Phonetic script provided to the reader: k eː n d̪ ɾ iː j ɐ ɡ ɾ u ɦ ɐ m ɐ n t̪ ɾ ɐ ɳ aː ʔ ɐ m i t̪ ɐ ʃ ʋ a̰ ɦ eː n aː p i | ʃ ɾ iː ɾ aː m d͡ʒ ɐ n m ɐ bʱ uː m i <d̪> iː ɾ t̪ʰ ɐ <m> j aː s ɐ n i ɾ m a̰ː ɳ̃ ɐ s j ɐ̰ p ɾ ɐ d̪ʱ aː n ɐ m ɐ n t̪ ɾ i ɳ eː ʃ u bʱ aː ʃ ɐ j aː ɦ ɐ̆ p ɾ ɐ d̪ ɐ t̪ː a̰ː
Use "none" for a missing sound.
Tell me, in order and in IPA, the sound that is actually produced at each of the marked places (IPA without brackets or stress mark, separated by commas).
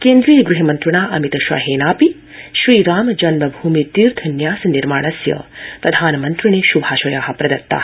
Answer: t̪, n